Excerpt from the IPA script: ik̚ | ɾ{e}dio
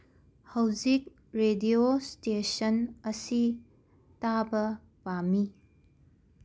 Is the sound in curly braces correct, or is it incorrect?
correct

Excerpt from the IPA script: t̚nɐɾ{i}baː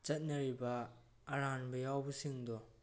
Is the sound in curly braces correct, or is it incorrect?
correct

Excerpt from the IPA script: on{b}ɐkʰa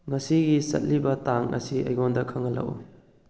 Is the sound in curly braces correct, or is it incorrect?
incorrect: d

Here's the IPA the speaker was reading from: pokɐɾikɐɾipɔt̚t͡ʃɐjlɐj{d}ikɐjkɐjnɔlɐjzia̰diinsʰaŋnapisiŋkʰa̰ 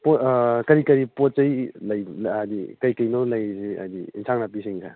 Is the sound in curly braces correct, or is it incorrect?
correct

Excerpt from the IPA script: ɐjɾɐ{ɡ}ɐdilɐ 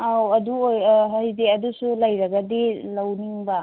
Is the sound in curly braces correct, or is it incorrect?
correct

